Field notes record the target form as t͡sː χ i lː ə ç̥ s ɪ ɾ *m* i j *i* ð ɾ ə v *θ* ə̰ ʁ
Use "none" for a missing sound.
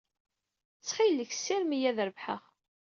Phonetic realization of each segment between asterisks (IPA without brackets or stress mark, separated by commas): m, æ, ħ